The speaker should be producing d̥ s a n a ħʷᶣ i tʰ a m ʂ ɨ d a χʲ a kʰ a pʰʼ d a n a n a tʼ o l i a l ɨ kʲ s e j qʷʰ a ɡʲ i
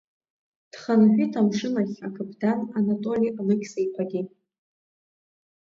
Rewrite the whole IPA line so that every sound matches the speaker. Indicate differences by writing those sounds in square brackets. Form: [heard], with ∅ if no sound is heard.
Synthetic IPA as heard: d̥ [χ] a n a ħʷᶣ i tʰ a m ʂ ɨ [n] a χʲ a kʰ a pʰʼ d a n a n a tʼ o l i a l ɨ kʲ s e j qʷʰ a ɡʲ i